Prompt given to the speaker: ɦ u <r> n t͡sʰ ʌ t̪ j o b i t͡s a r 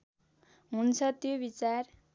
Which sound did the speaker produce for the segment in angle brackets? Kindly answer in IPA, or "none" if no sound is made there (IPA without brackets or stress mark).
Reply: none